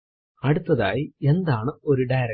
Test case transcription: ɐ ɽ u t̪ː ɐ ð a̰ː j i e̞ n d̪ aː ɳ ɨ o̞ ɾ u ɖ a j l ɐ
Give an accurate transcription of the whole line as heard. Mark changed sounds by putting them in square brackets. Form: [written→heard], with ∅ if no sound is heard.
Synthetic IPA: ɐ ɽ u t̪ː ɐ ð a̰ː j i e̞ n d̪ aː ɳ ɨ o̞ ɾ u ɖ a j [l→ɾ] ɐ